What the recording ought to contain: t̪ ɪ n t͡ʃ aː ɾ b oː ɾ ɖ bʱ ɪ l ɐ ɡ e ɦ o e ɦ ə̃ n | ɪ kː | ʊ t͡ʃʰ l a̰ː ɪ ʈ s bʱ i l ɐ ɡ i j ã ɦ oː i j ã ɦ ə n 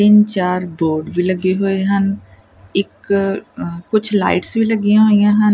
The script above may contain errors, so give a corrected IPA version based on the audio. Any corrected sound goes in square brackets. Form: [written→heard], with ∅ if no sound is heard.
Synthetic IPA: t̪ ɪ n t͡ʃ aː ɾ b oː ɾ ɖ bʱ [ɪ→i] l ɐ ɡ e ɦ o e ɦ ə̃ n | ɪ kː | ʊ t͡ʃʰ l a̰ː ɪ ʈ s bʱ i l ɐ ɡ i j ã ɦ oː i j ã ɦ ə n